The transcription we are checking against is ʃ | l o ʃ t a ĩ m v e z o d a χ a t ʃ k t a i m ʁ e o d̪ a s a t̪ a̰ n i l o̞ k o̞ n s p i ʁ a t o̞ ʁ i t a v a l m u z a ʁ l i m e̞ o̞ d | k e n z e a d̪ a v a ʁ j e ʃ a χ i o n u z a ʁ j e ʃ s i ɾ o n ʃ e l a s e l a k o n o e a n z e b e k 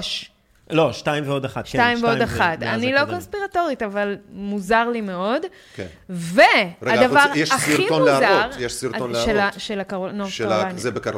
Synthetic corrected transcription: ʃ | l o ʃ t a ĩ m v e o d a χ a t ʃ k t a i m v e o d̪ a χ a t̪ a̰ n i l o̞ k o̞ n s p i ʁ a t o̞ ʁ i t a v a l m u z a ʁ l i m e̞ o̞ d | k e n v e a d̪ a v a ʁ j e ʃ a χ i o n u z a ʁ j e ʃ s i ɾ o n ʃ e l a ʃ e l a k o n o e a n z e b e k